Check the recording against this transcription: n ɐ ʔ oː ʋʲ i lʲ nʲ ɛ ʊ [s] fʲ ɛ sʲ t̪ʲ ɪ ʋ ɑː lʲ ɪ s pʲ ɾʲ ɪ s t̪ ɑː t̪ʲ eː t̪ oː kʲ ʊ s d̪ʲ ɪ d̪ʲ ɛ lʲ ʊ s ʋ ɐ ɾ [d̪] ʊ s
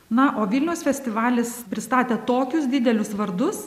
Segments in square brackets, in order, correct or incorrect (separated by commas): correct, correct